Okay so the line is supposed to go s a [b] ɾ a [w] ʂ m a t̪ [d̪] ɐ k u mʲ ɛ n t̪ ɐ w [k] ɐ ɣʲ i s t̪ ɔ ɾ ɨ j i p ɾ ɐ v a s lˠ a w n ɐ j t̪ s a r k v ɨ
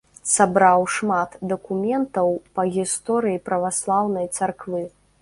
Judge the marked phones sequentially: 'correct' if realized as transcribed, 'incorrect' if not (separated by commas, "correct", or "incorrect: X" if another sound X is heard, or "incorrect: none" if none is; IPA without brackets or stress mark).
correct, correct, correct, incorrect: p